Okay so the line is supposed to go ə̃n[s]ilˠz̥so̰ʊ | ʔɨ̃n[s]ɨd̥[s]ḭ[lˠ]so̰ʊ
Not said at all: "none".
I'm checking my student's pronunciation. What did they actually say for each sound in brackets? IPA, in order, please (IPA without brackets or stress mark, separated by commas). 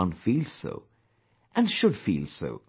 f, ʃ, f, lˠ